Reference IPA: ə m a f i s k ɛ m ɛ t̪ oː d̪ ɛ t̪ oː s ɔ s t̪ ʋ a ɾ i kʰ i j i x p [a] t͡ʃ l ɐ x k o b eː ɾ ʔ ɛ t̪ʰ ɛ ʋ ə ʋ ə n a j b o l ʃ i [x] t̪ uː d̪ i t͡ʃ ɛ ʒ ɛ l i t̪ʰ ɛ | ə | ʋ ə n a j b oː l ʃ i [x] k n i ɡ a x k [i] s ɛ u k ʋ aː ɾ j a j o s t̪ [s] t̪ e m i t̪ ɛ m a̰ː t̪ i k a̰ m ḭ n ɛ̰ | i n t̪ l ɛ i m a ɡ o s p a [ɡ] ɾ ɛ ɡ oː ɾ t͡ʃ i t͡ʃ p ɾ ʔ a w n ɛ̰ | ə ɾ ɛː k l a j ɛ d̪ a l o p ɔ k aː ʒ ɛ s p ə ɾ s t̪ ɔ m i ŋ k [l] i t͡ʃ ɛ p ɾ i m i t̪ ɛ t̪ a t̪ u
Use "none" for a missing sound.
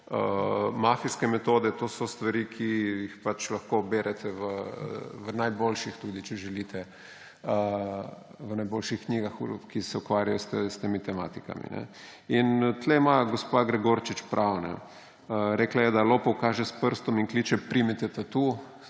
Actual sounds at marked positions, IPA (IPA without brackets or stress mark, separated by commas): a, x, x, i, s, ɡ, l